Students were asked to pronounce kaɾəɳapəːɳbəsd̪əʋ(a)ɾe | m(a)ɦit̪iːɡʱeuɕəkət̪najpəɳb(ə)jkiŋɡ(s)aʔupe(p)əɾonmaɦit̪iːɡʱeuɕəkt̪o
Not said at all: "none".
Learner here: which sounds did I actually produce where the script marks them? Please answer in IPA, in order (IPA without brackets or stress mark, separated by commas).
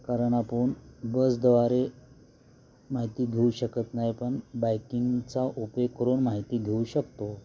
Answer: a, a, a, t͡s, k